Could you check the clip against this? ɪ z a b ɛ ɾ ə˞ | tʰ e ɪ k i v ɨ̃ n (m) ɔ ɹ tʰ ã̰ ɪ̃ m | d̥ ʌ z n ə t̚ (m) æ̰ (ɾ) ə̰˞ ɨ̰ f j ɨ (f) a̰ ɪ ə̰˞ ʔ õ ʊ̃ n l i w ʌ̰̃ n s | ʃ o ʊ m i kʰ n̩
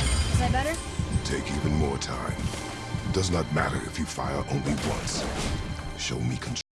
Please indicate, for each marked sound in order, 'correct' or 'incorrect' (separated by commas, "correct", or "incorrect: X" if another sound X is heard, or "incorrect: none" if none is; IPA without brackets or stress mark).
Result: correct, correct, correct, correct